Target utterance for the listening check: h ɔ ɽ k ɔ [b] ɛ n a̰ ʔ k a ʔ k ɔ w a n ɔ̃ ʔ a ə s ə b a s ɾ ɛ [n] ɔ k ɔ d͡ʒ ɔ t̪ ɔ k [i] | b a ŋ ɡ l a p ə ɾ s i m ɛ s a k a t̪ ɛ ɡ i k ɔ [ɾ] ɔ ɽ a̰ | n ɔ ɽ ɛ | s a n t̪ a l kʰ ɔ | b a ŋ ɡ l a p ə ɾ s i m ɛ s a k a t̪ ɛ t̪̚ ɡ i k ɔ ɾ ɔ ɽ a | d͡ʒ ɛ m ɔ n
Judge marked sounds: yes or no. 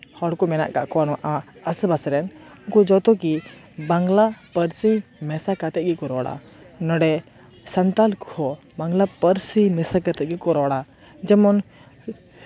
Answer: no, yes, yes, yes

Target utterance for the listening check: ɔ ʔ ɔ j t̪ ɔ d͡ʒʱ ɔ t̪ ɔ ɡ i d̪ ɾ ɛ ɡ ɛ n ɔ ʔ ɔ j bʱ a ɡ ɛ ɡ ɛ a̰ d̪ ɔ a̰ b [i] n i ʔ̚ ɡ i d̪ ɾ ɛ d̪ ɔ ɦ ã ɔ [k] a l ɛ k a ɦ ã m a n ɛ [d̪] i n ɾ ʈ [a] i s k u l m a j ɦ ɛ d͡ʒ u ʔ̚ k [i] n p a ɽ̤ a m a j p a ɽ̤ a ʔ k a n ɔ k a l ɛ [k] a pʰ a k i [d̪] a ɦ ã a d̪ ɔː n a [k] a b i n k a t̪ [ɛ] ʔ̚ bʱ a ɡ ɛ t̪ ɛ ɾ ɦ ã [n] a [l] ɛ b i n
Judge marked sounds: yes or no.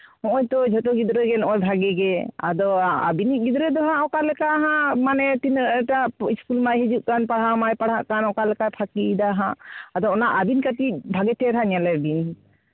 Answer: yes, yes, no, yes, no, yes, yes, no, no, no, yes

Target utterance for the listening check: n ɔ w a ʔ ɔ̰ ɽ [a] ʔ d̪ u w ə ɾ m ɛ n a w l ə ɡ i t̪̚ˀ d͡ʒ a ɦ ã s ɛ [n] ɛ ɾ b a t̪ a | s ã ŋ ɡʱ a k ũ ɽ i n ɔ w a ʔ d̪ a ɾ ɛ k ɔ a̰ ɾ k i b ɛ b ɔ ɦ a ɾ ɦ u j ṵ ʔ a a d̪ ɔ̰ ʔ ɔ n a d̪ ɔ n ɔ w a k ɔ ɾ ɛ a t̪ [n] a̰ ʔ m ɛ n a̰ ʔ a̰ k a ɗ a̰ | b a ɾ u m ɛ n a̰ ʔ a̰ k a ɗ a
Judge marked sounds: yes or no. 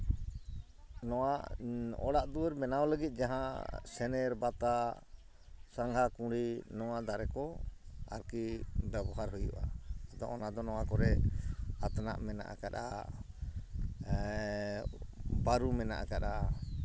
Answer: yes, yes, yes

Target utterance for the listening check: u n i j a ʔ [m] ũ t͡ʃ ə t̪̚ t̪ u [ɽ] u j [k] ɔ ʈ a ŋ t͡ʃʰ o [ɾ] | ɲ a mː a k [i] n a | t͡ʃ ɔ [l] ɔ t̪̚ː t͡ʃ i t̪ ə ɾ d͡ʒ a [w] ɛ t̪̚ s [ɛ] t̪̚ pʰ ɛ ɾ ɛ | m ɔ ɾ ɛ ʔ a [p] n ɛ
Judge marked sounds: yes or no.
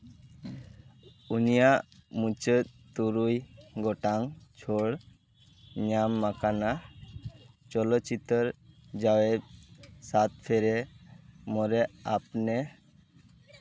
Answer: yes, no, no, no, no, yes, yes, no, yes

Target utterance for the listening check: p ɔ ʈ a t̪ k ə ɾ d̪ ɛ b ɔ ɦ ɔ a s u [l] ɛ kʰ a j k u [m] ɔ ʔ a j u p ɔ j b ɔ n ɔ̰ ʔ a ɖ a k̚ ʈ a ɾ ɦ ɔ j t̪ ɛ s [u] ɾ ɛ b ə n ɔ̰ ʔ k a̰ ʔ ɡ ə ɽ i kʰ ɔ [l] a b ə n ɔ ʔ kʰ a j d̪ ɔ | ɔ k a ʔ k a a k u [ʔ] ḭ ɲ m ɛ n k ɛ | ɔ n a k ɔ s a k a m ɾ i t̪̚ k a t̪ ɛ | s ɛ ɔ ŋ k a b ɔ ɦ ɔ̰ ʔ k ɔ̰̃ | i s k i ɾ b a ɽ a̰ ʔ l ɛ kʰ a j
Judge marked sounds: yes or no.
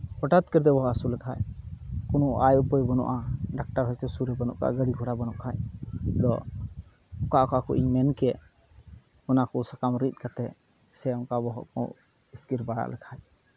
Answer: yes, no, yes, no, yes

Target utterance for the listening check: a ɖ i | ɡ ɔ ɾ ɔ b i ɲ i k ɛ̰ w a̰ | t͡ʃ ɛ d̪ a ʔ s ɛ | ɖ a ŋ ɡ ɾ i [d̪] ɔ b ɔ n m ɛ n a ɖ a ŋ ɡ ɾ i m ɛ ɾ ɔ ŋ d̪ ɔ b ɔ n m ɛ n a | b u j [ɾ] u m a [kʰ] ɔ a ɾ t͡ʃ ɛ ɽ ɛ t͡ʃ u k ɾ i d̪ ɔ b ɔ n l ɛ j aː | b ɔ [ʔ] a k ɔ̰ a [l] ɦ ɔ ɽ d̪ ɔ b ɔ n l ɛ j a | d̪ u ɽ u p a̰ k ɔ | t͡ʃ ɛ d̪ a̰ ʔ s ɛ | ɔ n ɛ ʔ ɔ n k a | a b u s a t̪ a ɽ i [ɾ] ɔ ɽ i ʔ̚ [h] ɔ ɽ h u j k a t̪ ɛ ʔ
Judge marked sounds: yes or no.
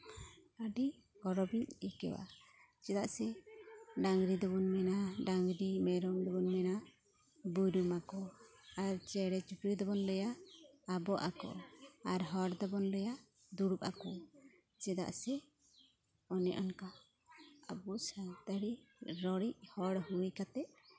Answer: yes, yes, no, yes, no, yes, yes

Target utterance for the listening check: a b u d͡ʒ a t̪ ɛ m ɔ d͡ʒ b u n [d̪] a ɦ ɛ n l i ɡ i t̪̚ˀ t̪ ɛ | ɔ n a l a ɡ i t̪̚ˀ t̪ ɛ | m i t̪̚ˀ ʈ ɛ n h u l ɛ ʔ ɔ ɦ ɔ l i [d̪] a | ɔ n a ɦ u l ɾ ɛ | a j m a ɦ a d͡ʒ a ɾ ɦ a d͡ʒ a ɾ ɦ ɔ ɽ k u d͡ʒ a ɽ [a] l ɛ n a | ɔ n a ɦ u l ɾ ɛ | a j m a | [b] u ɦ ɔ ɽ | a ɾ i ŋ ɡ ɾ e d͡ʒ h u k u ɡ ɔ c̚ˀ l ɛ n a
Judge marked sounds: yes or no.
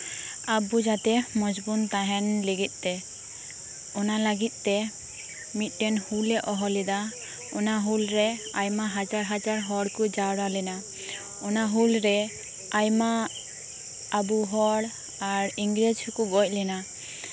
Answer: no, yes, yes, yes

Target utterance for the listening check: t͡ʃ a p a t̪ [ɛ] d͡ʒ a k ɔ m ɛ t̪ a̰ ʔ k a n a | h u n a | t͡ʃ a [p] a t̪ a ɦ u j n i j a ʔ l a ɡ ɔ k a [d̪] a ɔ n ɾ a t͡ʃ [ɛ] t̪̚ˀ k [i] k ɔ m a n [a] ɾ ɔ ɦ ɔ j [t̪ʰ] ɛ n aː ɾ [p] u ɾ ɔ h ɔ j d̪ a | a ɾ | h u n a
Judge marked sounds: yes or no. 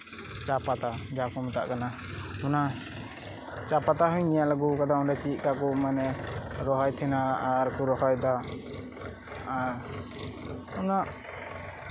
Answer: no, yes, yes, no, no, no, yes, no

